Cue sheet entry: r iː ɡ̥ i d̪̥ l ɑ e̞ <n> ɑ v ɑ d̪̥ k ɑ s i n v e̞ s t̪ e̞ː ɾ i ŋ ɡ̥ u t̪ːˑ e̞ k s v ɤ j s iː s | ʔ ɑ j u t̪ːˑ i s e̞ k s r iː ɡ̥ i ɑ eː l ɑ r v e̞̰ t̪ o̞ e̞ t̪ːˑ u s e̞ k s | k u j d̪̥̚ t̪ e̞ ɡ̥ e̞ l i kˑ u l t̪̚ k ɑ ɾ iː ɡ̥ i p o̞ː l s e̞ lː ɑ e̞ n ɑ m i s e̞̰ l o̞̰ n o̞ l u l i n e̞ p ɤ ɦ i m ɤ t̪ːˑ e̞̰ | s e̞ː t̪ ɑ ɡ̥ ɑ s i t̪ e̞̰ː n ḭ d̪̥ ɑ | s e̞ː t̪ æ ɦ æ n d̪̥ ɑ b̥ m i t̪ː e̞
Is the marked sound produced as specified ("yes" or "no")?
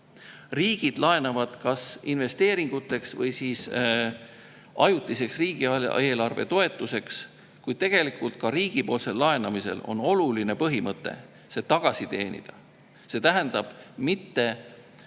yes